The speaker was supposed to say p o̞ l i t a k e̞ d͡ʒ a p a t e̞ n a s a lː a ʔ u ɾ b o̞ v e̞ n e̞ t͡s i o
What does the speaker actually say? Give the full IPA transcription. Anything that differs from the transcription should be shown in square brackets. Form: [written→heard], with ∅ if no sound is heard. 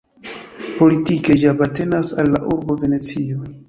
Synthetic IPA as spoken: p o̞ l i t [a→i] k e̞ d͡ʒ a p a t e̞ n a s a lː a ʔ u ɾ b o̞ v e̞ n e̞ t͡s i o